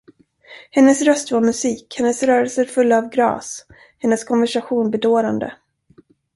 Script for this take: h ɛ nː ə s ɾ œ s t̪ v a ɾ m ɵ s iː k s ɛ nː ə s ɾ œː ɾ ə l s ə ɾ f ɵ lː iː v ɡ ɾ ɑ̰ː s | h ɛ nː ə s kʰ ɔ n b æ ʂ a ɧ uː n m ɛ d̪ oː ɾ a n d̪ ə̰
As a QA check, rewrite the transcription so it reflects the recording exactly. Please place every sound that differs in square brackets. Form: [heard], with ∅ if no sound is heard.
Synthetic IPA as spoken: h ɛ nː ə s ɾ œ s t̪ v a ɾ m ɵ s iː k [h] ɛ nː ə s ɾ œː ɾ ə l s ə ɾ f ɵ lː [aː] v ɡ ɾ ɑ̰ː s | h ɛ nː ə s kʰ ɔ n [v] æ ʂ a ɧ uː n [b] ɛ d̪ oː ɾ a n d̪ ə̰

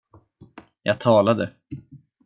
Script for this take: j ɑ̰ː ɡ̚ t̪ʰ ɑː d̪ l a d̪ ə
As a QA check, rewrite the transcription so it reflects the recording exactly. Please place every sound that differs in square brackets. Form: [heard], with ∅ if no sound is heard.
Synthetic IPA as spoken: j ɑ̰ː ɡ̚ t̪ʰ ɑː [∅] l a d̪ ə

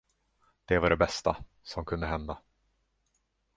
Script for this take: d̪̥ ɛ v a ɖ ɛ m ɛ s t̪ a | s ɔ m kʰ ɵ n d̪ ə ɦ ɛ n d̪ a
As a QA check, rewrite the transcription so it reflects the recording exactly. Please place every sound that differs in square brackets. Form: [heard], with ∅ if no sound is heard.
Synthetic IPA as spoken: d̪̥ ɛ v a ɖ ɛ [b] ɛ s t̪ a | s ɔ m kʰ ɵ n d̪ ə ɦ ɛ n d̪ a

